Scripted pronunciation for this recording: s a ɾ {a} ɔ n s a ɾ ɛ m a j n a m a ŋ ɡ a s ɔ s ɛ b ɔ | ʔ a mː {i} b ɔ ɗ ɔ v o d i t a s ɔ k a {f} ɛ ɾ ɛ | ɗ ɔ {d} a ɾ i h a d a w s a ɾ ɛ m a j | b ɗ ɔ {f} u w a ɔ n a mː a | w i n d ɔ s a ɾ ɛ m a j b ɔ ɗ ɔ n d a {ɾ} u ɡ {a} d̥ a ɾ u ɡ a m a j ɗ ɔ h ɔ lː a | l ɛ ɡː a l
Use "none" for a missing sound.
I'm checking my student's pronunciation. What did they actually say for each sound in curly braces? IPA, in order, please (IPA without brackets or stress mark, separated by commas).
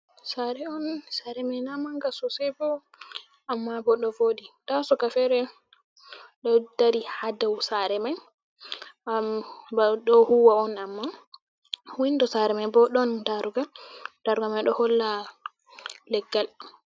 ɛ, a, f, d, h, ɾ, a